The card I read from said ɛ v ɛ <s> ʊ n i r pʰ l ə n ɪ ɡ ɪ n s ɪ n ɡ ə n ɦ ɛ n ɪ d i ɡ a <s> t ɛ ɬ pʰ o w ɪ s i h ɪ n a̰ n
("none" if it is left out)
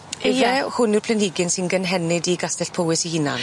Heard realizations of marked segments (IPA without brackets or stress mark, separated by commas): h, s